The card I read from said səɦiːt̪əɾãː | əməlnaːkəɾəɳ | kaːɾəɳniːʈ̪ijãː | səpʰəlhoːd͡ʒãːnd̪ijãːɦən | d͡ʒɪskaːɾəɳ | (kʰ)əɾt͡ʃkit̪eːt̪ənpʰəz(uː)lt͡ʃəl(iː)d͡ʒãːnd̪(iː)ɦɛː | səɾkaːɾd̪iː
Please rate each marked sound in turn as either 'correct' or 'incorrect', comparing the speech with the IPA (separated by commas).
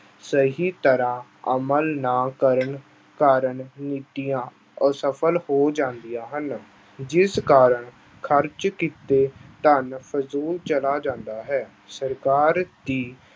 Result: correct, correct, incorrect, incorrect